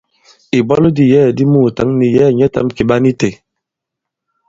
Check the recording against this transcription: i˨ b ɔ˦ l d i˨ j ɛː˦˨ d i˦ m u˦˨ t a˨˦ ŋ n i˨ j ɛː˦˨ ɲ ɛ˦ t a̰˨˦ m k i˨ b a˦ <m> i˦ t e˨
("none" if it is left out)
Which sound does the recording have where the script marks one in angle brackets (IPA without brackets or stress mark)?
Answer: n